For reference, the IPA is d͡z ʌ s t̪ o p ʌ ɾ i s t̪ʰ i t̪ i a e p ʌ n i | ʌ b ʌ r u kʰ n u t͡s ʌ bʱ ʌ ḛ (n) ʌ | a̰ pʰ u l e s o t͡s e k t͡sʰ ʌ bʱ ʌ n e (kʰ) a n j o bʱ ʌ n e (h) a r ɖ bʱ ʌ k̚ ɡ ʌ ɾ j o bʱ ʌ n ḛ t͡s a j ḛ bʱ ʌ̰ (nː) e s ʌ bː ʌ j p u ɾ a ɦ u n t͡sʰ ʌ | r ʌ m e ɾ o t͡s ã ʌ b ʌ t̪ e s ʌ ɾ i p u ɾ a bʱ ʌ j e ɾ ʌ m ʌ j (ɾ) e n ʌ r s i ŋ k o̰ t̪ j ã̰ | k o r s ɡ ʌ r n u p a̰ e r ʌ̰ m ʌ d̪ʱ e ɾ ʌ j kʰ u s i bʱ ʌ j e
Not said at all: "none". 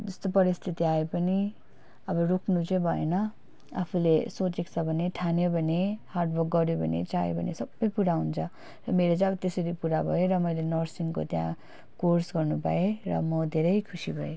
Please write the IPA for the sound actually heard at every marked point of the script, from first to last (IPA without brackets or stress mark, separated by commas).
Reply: n, ʈʰ, h, n, l